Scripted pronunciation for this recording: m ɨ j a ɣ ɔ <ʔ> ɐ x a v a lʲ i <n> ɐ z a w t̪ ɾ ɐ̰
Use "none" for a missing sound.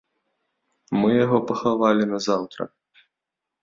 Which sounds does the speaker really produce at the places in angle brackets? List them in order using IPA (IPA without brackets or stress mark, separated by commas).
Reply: p, n